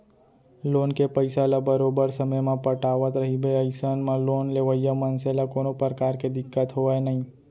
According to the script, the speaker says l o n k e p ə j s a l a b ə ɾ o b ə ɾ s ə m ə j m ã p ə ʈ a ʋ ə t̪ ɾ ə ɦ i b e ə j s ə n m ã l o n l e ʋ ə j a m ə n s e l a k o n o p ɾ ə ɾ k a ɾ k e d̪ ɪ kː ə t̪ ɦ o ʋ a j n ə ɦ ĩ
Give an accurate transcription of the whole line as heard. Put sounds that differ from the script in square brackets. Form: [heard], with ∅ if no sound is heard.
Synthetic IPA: l o n k e p ə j s a l a b ə ɾ o b ə ɾ s ə m ə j m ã p ə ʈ a ʋ ə t̪ ɾ ə ɦ i b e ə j s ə n m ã l o n l e ʋ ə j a m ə n s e l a k o n o p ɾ ə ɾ k a ɾ k e d̪ ɪ kː ə t̪ ɦ o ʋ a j n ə ɦ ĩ